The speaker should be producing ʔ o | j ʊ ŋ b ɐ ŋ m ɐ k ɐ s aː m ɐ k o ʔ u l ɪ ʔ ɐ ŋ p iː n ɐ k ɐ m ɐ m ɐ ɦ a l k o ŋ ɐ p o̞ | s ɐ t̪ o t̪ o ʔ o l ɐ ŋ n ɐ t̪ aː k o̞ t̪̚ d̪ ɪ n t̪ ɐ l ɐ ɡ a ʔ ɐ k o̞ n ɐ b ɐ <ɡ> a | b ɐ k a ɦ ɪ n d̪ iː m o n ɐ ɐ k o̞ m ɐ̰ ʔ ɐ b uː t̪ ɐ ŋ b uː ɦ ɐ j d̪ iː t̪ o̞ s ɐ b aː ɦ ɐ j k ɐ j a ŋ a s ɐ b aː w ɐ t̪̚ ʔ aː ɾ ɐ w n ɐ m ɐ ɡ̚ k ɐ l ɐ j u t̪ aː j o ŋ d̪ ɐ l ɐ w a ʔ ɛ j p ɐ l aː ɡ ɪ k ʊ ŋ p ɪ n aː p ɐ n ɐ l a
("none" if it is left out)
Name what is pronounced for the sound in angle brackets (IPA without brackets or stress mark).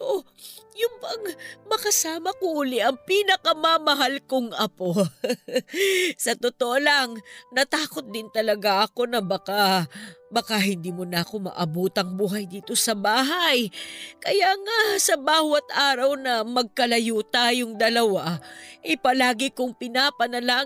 k